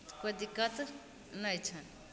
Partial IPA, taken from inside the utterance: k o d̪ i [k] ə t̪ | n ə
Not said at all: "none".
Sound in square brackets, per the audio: k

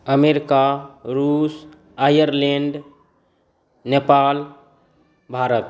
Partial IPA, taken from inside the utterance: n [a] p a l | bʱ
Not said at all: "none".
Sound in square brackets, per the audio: e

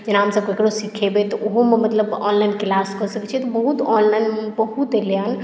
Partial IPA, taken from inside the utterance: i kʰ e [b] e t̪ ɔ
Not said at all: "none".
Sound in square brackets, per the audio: b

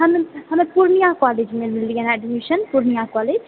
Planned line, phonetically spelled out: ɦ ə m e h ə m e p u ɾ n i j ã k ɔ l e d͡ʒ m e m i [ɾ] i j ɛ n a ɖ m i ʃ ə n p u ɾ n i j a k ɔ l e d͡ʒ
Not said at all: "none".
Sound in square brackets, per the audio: l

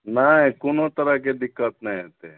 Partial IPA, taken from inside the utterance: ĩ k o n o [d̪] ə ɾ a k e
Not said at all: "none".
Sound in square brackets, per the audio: t̪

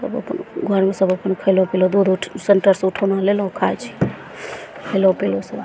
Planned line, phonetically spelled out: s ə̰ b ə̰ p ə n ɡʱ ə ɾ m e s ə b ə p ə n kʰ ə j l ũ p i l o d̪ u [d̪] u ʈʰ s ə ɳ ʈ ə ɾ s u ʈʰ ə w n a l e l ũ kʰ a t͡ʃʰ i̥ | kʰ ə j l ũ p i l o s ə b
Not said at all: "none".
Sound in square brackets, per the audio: d̪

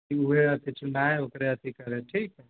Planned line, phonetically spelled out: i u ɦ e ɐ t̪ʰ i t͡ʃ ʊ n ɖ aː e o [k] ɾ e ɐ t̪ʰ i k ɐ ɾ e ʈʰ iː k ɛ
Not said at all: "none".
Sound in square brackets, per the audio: k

